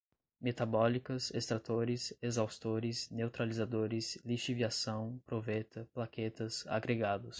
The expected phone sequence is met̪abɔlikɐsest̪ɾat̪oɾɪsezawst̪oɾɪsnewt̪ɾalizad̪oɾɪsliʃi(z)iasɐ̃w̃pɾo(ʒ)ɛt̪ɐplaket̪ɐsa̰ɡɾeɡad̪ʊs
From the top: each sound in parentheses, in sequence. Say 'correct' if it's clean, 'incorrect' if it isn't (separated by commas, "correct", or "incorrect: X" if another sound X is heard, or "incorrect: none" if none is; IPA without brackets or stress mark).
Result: incorrect: v, incorrect: v